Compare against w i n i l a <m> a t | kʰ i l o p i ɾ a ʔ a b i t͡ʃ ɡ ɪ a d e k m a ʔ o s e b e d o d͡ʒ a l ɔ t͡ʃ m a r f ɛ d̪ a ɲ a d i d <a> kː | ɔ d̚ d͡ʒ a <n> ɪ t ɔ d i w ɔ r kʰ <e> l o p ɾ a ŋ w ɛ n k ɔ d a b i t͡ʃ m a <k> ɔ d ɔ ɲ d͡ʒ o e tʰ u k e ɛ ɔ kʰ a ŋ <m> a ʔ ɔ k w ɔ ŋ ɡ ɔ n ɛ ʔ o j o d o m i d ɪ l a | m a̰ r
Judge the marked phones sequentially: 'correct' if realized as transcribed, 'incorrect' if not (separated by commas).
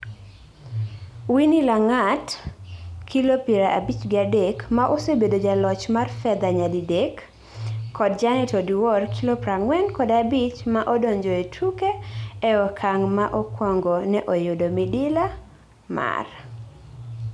incorrect, incorrect, correct, incorrect, incorrect, correct